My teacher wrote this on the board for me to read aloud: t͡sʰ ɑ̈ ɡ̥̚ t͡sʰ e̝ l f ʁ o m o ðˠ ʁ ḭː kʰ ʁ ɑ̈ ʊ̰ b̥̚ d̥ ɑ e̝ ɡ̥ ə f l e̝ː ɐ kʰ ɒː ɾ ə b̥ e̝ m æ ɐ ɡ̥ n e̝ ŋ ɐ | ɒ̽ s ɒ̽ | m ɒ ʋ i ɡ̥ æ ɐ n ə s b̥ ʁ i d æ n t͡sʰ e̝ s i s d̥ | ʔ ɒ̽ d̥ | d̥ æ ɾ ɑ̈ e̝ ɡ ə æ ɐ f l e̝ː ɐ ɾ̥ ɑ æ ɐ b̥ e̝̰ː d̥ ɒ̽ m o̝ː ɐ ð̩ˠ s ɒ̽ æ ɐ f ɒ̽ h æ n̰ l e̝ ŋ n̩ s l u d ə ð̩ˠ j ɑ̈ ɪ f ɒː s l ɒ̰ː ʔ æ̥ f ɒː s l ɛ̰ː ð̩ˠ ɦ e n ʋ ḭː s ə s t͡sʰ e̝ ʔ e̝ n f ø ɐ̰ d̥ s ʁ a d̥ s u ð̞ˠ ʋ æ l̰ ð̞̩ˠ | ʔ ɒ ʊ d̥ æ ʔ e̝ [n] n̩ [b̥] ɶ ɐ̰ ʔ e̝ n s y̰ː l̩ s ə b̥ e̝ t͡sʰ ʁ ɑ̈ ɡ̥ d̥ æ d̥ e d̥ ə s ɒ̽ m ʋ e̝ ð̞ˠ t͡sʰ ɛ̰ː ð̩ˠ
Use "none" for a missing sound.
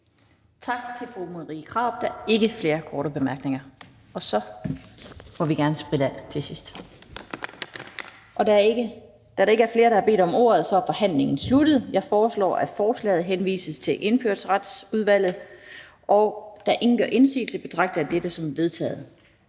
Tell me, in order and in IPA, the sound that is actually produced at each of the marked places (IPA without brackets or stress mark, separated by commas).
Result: ŋ, ɡ̥